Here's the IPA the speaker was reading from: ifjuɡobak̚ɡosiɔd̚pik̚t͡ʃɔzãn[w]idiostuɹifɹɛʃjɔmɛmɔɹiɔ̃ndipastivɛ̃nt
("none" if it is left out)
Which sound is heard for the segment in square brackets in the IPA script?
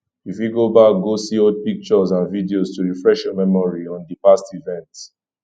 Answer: v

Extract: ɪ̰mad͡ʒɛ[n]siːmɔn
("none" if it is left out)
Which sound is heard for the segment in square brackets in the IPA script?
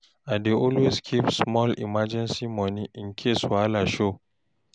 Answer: n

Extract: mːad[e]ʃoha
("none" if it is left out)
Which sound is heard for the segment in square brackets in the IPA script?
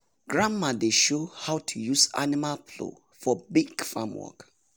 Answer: e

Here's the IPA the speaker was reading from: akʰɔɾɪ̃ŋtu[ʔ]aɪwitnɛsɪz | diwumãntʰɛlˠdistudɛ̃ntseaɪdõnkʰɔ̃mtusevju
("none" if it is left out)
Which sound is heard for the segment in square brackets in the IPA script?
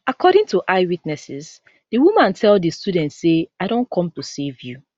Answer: ʔ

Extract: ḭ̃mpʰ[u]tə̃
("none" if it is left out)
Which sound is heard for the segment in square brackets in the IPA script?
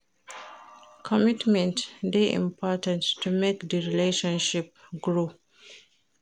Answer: ɔ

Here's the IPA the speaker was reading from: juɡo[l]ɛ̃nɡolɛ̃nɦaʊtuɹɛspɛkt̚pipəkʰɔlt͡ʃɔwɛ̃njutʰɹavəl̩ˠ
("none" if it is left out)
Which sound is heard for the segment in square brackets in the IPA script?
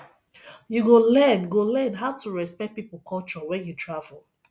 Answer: l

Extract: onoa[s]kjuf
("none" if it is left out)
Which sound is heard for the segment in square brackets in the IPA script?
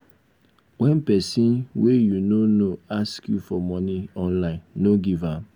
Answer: s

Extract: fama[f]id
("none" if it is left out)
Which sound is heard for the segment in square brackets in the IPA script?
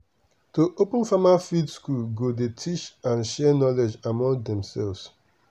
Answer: f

